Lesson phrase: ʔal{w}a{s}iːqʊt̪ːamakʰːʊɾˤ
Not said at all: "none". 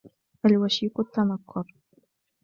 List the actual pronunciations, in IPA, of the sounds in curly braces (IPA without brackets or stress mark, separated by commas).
w, ʃ